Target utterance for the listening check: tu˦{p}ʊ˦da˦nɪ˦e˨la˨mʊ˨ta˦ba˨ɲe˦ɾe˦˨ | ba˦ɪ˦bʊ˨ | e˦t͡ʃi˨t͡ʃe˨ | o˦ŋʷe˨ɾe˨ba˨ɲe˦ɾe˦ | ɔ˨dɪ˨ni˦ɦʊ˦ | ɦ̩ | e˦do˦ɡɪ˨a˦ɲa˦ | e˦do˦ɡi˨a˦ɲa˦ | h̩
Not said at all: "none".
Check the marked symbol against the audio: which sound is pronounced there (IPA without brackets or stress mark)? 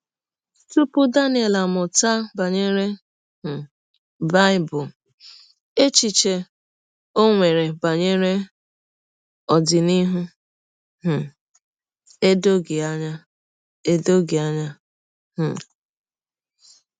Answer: p